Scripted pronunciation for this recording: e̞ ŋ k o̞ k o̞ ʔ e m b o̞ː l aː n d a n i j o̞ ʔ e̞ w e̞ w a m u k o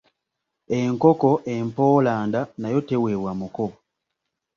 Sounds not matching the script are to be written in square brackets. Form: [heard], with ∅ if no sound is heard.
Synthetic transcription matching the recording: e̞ ŋ k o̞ k o̞ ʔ e m [p] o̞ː l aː n d a n [a] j o̞ [t] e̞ w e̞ w a m u k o